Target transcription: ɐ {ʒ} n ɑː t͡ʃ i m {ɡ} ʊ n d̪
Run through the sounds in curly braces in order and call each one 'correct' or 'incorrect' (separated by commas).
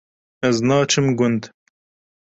incorrect, correct